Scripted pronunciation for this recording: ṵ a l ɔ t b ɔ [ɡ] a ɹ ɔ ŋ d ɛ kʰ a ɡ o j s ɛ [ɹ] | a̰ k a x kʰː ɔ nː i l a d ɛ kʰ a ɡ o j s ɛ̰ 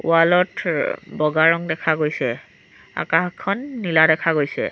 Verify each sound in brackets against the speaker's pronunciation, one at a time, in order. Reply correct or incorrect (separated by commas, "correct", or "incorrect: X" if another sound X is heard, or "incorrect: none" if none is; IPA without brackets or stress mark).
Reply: correct, incorrect: none